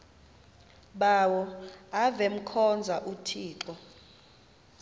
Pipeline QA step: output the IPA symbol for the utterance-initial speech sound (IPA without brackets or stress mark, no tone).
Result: ɓ